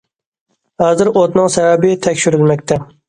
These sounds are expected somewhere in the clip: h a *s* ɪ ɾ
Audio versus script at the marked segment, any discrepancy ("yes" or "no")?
yes